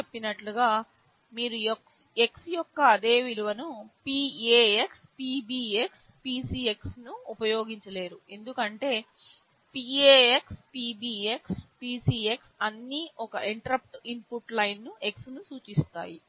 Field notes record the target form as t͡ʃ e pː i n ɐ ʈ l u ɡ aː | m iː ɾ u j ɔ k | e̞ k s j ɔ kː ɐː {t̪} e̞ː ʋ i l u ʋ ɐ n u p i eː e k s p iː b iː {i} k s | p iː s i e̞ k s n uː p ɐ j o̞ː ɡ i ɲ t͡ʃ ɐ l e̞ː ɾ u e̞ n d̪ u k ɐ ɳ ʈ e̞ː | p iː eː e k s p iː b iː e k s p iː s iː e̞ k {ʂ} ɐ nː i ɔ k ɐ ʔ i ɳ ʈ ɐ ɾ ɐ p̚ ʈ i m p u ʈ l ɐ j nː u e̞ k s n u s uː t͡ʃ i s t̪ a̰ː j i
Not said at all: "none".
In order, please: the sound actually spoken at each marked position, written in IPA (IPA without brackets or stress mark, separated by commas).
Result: d̪, e, s